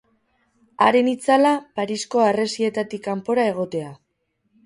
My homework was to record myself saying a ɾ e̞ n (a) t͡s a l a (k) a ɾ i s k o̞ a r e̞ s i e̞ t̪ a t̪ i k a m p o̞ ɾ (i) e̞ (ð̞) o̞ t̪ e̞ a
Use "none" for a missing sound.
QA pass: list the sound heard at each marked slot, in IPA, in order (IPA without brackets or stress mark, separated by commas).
i, p, a, ɣ̞